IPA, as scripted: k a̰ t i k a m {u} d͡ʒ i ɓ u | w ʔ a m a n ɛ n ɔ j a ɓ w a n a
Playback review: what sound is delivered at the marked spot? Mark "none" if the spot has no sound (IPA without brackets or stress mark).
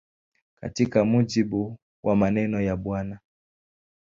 u